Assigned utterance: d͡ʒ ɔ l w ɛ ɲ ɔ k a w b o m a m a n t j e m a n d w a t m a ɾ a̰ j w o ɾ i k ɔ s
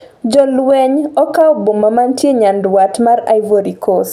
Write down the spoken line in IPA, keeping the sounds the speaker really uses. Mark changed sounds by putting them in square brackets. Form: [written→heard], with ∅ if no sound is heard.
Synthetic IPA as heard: d͡ʒ ɔ l w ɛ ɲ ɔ k a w b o m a m a n t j e [m→ɲ] a n d w a t m a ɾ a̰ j [w→v] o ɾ i k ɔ s